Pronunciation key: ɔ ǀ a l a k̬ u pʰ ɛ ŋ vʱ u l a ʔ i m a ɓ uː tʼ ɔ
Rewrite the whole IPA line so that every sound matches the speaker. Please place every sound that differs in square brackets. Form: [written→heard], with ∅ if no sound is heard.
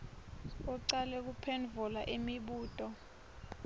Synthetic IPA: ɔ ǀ a l [a→ɛ] k̬ u pʰ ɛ [ŋ→n] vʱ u l a ʔ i m [a→i] ɓ uː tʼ ɔ